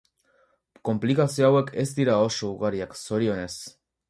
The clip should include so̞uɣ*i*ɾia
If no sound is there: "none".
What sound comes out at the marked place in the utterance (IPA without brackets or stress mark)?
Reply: a